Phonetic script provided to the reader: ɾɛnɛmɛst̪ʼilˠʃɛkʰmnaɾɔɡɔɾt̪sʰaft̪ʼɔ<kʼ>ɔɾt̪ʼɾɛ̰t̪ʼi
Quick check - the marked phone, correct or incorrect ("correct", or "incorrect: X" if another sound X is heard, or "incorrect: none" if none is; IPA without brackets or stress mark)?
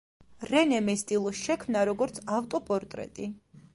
incorrect: pʼ